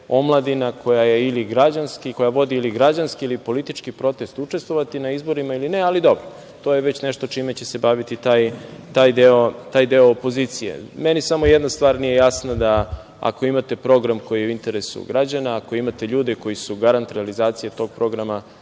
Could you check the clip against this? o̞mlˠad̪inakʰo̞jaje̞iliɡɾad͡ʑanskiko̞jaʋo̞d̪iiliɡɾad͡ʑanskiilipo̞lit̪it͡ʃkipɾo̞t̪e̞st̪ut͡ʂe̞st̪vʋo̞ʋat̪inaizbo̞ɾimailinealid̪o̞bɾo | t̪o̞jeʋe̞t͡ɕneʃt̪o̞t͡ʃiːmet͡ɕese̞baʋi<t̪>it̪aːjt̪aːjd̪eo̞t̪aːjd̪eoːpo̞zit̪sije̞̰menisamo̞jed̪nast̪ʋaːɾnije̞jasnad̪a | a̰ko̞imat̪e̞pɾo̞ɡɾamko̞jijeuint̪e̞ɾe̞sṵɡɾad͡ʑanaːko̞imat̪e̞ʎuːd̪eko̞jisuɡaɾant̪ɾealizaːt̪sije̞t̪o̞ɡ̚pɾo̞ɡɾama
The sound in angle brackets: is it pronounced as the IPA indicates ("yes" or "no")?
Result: yes